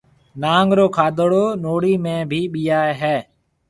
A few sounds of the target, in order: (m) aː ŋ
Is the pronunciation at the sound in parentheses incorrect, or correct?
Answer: incorrect